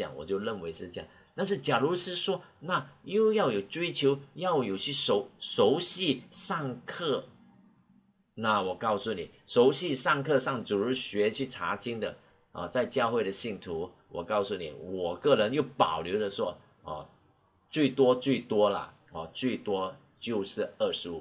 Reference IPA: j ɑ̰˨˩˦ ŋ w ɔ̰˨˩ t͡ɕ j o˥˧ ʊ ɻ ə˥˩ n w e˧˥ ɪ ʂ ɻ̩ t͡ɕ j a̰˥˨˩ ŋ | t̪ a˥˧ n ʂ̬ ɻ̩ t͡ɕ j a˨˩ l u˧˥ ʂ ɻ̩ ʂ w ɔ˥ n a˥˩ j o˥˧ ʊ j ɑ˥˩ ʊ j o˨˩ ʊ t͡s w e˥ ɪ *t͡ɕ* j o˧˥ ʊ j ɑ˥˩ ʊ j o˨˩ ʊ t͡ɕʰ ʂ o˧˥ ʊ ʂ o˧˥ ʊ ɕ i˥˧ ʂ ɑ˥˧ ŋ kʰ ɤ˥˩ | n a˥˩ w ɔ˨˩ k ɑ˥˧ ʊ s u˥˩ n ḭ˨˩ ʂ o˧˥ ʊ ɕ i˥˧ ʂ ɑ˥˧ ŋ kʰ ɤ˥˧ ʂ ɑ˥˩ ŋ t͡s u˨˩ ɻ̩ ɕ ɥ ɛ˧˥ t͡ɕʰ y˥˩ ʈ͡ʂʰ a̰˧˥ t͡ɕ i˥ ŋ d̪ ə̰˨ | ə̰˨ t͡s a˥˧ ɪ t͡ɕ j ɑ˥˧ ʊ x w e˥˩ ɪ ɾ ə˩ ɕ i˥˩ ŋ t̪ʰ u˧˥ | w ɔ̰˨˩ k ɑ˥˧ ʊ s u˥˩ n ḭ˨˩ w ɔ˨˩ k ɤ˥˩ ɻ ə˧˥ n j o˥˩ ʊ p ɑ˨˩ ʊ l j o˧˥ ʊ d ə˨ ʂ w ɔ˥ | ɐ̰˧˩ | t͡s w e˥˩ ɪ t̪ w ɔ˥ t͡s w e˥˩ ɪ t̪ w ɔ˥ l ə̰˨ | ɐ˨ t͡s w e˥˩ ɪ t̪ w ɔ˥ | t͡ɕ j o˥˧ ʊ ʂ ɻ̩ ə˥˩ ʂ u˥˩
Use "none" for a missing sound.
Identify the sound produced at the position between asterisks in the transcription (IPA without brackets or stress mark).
t͡ɕʰ